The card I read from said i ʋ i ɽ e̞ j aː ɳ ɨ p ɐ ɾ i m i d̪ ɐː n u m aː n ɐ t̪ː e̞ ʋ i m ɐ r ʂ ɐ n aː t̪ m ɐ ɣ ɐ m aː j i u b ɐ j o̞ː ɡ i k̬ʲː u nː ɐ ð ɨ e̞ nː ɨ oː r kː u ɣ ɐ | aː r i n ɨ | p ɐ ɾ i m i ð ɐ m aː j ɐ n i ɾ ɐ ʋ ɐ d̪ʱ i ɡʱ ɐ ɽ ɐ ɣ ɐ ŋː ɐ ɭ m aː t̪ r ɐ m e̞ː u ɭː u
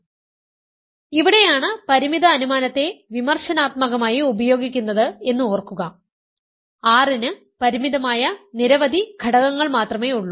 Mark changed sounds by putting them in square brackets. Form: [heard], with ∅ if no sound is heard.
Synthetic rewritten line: i ʋ i ɽ e̞ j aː ɳ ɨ p ɐ ɾ i m i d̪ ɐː n u m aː n ɐ t̪ː e̞ ʋ i m ɐ r ʂ ɐ n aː t̪ m ɐ ɣ ɐ m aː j i u b ɐ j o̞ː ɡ i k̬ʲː u nː ɐ ð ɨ e̞ nː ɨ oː r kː u ɣ ɐ | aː r i n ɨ | p ɐ ɾ i m i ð ɐ m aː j ɐ n i ɾ ɐ ʋ ɐ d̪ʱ i ɡʱ ɐ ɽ ɐ ɣ ɐ ŋː ɐ ɭ m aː t̪ r ɐ m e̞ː u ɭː u